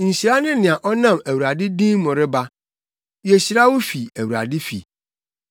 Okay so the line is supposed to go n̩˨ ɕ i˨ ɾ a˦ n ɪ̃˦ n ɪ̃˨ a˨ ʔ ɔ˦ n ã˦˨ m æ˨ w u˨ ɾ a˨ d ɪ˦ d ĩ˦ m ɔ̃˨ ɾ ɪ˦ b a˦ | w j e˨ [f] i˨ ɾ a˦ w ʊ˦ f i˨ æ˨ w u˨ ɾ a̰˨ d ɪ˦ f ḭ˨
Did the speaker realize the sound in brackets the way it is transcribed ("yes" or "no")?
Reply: no